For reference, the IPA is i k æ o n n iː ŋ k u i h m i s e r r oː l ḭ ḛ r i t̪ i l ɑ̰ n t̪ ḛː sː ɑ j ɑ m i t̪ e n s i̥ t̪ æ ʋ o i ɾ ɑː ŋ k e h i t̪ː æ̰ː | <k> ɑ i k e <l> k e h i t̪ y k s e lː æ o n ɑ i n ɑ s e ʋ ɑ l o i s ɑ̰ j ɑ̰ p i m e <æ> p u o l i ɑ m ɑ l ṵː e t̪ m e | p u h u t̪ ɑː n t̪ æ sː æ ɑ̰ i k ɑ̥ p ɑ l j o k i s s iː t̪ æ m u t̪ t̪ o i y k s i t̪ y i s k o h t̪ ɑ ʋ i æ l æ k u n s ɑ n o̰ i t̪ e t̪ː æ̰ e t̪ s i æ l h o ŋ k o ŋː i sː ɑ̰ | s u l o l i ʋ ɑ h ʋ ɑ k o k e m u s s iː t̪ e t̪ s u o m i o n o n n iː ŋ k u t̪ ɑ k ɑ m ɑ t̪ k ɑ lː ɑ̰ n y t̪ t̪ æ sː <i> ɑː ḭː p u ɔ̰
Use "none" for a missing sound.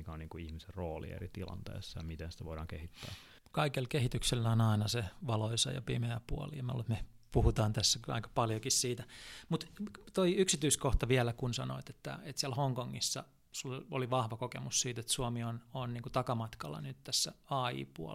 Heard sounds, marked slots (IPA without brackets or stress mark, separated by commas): k, l, æ, æ